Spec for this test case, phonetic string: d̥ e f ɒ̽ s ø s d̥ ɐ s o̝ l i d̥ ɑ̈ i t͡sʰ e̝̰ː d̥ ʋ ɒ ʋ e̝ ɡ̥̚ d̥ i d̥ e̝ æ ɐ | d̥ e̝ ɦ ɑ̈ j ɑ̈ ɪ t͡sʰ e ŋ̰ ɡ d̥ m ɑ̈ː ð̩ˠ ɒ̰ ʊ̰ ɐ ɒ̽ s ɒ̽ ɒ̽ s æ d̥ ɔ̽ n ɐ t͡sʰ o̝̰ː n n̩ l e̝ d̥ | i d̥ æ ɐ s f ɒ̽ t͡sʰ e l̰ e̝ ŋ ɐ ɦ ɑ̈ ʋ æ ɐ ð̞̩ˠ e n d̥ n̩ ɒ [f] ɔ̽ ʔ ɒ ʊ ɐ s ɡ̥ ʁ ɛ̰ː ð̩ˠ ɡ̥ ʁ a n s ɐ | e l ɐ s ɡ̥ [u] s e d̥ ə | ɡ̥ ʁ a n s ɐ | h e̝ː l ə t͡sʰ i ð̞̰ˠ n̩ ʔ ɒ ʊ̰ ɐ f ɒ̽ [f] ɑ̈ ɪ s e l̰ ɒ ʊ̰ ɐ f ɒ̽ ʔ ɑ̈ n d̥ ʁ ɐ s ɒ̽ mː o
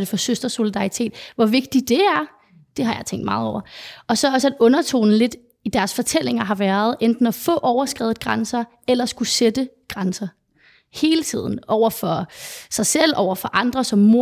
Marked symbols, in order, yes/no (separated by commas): yes, yes, no